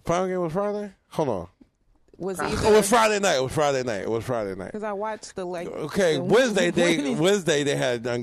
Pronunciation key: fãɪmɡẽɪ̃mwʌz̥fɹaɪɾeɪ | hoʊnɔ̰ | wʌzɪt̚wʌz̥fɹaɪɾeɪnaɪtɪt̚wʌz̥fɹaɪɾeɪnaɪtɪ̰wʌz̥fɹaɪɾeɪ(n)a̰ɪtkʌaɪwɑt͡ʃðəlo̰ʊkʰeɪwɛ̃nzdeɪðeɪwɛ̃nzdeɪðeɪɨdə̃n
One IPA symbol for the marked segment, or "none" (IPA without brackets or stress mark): n